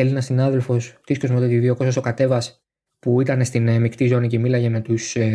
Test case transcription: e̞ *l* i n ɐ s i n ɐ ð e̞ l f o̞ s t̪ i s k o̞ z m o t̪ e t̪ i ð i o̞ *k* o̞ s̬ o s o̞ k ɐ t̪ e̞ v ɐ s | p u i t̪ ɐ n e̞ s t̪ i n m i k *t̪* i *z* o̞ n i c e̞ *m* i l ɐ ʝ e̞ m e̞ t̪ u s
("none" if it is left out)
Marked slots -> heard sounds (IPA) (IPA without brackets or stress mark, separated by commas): l, k, t̪, z, m